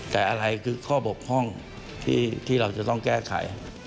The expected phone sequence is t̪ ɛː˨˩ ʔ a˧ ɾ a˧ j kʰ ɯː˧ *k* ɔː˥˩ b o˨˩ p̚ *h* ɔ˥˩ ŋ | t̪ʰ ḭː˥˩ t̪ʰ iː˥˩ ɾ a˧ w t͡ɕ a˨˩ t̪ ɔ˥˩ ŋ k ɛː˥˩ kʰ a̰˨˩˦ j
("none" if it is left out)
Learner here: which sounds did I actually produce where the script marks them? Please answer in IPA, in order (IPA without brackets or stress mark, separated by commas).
kʰ, h